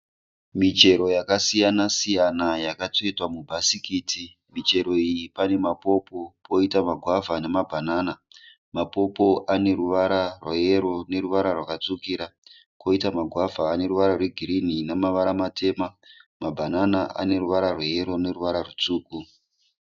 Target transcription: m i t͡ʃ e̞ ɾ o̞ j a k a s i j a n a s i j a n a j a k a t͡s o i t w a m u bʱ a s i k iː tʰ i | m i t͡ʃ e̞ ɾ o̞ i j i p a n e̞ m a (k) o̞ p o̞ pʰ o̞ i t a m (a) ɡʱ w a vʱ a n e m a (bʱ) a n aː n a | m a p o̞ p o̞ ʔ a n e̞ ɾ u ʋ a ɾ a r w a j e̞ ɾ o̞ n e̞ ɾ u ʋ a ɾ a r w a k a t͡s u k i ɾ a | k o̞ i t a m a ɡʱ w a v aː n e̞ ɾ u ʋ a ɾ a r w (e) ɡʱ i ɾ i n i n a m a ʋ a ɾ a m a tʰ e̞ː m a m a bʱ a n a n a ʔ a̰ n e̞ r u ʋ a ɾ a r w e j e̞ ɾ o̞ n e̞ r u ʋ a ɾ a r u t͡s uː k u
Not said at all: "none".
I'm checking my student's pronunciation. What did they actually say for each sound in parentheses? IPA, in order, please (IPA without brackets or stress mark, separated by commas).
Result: p, a, bʱ, e